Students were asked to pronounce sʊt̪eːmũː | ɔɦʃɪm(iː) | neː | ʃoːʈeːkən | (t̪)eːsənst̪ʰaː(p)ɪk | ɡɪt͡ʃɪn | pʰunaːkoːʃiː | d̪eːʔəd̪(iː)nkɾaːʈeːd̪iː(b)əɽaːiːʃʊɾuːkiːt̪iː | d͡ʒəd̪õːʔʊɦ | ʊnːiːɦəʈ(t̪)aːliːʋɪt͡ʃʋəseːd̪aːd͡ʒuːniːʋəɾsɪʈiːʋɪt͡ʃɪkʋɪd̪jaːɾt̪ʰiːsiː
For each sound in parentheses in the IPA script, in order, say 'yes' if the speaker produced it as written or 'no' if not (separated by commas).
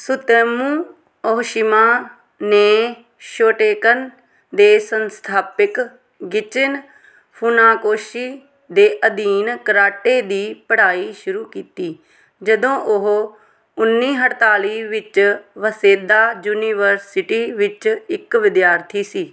no, no, yes, yes, no, yes